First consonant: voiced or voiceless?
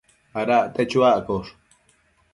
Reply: voiced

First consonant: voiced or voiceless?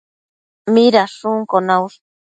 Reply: voiced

